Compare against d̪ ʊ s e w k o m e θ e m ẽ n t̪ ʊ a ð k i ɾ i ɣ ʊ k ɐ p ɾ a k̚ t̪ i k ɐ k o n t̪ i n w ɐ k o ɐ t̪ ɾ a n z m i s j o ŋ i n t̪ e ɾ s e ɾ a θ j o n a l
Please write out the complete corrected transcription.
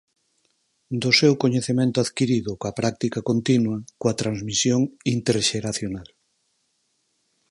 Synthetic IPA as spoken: d̪ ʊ s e w k o ɲ e θ e m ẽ n t̪ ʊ a ð k i ɾ i ð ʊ k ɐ p ɾ a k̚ t̪ i k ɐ k o n t̪ i n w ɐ k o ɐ t̪ ɾ a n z m i s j o ŋ i n t̪ e ɾ ʃ e ɾ a θ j o n a l